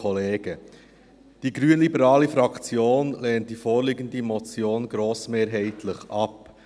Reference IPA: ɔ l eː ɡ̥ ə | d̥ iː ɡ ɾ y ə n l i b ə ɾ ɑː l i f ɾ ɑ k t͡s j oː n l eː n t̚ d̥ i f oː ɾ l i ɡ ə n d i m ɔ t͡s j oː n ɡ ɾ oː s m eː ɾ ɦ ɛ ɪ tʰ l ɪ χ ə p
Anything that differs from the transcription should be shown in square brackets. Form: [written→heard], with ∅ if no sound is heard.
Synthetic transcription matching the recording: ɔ l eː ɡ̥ ə | d̥ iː ɡ ɾ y ə n l i b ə ɾ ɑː l i f ɾ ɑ k t͡s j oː n l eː n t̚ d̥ i f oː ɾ l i ɡ ə n d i m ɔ t͡s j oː n ɡ ɾ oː s m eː ɾ ɦ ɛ ɪ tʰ l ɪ χ [ə→ɑ] p